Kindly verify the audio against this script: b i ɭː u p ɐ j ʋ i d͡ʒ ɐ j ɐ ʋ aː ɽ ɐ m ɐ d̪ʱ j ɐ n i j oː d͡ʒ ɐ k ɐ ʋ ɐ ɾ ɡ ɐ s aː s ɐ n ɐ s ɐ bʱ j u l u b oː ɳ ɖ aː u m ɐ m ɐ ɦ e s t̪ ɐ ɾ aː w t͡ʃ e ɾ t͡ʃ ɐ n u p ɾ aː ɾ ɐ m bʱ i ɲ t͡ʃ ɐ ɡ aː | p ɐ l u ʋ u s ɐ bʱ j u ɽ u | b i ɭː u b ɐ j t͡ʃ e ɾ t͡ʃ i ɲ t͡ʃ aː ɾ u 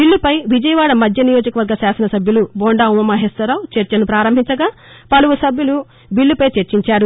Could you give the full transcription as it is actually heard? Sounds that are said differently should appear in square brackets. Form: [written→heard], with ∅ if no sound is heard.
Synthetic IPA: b i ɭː u p ɐ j ʋ i d͡ʒ ɐ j ɐ ʋ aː ɽ ɐ m ɐ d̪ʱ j ɐ n i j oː d͡ʒ ɐ k ɐ ʋ ɐ ɾ ɡ ɐ s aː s ɐ n ɐ s ɐ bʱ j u l u b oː ɳ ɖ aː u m ɐ m ɐ ɦ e s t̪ ɐ ɾ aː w t͡ʃ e ɾ t͡ʃ ɐ n u p ɾ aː ɾ ɐ m bʱ i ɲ t͡ʃ ɐ ɡ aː | p ɐ l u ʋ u s ɐ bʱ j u [ɽ→l] u | b i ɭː u [b→p] ɐ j t͡ʃ e ɾ t͡ʃ i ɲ t͡ʃ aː ɾ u

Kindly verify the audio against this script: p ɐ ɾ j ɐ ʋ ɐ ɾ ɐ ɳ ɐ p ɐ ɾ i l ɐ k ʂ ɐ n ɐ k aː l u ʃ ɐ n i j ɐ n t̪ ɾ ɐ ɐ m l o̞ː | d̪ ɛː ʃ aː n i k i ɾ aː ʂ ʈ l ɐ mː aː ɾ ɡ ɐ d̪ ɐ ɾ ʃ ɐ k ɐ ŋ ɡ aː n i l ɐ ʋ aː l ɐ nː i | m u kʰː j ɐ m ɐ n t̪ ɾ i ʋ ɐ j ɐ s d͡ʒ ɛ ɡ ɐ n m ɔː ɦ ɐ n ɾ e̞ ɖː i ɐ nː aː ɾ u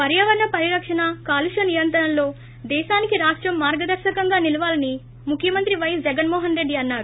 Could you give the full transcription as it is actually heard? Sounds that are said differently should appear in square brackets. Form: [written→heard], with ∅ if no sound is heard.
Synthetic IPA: p ɐ ɾ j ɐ ʋ ɐ ɾ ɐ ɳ ɐ p ɐ ɾ i [l→ɾ] ɐ k ʂ ɐ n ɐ k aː l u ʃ ɐ n i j ɐ n t̪ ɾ ɐ ɐ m l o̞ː | d̪ ɛː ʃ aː n i k i ɾ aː ʂ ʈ [l→ɾ] ɐ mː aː ɾ ɡ ɐ d̪ ɐ ɾ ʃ ɐ k ɐ ŋ ɡ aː n i l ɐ ʋ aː l ɐ [nː→n] i | m u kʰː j ɐ m ɐ n t̪ ɾ i ʋ ɐ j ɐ s d͡ʒ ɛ ɡ ɐ n m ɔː ɦ ɐ n ɾ e̞ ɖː i ɐ nː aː ɾ u

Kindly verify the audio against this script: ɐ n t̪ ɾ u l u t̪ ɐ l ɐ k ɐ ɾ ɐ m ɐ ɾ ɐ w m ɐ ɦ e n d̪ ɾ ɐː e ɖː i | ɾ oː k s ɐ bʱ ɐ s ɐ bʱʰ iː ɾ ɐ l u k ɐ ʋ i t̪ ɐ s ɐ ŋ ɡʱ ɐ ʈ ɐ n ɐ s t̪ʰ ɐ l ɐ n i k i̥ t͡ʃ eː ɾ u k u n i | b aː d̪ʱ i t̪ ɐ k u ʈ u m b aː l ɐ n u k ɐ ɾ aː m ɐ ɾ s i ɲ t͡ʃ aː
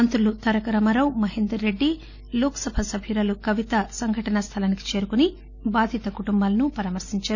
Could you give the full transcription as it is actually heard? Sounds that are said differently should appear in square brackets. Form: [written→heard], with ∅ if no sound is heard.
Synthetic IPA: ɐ n t̪ ɾ u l u t̪ ɐ [l→ɾ] ɐ k ɐ ɾ ɐ m ɐ ɾ ɐ w m ɐ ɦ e n d̪ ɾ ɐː e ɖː i | [ɾ→l] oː k s ɐ bʱ ɐ s ɐ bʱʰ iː ɾ ɐ l u k ɐ ʋ i t̪ ɐ s ɐ ŋ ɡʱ ɐ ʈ ɐ n ɐ s t̪ʰ ɐ l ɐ n i k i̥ t͡ʃ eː ɾ u k u n i | b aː d̪ʱ i t̪ ɐ k u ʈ u m b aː l ɐ n u [k→p] ɐ ɾ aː m ɐ ɾ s i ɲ t͡ʃ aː

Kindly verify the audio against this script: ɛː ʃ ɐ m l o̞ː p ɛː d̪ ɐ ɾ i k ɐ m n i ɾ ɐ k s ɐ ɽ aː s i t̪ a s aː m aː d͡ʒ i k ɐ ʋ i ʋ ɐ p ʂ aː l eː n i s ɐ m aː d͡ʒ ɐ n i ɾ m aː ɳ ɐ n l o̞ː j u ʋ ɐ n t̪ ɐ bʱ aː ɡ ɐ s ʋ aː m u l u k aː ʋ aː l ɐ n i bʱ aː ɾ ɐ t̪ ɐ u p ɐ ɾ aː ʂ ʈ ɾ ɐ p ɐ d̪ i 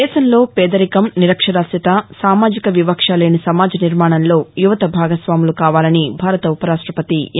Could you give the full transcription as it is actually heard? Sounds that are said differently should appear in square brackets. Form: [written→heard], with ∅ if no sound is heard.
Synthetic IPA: ɛː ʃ ɐ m l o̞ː p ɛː d̪ ɐ ɾ i k ɐ m n i ɾ ɐ k [s→ʂ] ɐ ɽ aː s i t̪ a s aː m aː d͡ʒ i k ɐ ʋ i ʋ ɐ [p→k] ʂ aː l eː n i s ɐ m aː d͡ʒ ɐ n i ɾ m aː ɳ ɐ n l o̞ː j u ʋ ɐ [n→∅] t̪ ɐ bʱ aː ɡ ɐ s ʋ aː m u l u k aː ʋ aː l ɐ n i bʱ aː ɾ ɐ t̪ ɐ u p ɐ ɾ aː ʂ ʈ ɾ ɐ p ɐ [d̪→t̪] i

